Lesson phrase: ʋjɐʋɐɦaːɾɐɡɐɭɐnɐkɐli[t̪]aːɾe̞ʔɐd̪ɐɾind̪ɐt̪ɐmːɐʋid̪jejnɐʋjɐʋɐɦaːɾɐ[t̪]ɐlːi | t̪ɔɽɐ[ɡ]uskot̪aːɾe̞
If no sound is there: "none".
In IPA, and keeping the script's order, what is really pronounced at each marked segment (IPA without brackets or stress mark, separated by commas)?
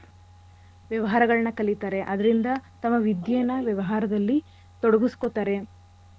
t̪, d̪, ɡ